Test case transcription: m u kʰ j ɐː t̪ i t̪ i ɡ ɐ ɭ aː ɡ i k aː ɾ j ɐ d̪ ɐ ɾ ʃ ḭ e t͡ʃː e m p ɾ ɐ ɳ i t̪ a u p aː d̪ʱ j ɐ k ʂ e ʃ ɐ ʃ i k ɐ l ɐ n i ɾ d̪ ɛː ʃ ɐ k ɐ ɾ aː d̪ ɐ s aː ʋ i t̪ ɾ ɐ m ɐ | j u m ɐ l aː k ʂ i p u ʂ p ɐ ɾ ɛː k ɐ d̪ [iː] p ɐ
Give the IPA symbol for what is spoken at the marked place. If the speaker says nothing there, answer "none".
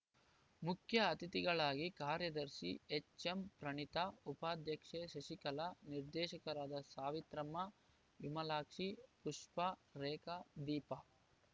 iː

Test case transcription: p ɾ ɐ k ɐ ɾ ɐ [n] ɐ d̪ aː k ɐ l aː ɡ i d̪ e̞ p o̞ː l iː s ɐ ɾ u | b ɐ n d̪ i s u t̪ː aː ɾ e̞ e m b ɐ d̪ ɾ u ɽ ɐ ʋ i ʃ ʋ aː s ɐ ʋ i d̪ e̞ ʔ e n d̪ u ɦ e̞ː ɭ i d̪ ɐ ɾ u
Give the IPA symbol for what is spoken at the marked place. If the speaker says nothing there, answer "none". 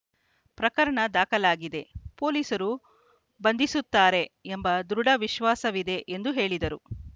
ɳ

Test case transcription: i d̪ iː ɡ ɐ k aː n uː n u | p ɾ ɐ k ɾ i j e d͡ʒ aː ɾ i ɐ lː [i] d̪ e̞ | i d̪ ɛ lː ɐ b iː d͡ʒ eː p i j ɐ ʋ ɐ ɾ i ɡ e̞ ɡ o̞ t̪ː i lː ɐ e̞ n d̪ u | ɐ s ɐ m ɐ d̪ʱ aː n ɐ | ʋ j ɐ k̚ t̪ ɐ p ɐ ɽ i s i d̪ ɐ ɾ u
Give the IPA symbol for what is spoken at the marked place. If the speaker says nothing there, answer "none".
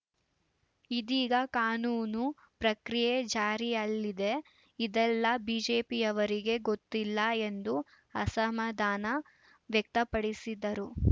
i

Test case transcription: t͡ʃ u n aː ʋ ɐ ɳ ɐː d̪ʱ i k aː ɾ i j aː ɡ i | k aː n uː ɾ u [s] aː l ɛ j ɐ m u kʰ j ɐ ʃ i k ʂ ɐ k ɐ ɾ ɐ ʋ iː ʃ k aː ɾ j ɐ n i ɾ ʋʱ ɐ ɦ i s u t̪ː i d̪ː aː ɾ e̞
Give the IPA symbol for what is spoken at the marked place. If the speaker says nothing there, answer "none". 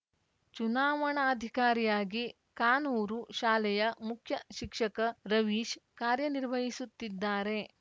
ʃ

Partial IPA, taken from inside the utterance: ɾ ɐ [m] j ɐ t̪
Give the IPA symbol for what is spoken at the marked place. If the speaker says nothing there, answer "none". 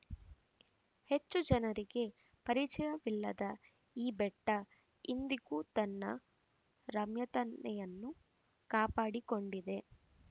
m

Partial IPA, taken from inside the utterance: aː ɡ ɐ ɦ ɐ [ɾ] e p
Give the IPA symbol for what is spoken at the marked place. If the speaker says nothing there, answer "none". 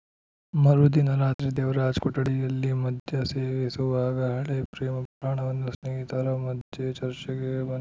ɭ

